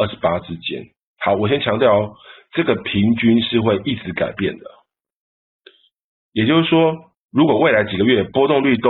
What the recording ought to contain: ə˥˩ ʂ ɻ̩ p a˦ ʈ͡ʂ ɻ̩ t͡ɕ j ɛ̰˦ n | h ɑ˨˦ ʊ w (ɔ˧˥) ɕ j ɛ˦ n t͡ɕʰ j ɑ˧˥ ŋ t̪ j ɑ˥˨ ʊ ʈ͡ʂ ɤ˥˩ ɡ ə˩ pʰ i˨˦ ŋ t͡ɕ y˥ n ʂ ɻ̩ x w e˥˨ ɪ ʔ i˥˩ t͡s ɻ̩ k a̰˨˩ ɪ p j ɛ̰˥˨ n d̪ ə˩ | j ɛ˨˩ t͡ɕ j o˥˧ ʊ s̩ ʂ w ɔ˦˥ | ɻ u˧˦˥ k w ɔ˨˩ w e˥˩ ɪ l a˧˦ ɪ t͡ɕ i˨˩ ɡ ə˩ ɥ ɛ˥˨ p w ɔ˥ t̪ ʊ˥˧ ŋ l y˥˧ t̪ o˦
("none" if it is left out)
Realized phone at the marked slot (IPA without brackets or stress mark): ɔ˨˩